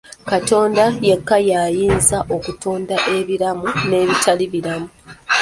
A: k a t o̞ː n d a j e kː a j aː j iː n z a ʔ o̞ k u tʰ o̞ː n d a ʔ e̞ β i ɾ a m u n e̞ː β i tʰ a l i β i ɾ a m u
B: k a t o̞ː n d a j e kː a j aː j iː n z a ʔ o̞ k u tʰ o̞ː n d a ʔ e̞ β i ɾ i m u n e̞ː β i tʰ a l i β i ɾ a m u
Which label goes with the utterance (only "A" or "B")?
A